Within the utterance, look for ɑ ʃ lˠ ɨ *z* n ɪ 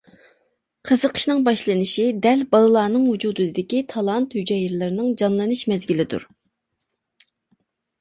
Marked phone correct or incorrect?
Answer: incorrect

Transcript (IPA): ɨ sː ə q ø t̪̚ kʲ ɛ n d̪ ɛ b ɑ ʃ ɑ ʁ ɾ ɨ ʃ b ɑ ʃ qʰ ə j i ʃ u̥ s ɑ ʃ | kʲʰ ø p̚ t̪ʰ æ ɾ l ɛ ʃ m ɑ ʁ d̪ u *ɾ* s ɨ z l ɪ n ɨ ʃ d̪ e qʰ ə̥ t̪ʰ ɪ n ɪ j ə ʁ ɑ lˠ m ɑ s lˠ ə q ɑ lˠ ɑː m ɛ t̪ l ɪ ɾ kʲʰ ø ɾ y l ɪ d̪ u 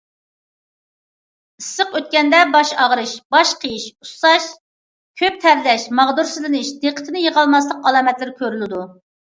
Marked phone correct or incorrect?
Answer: correct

